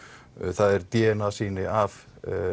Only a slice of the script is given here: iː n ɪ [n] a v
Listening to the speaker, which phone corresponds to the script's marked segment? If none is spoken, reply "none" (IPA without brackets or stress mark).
none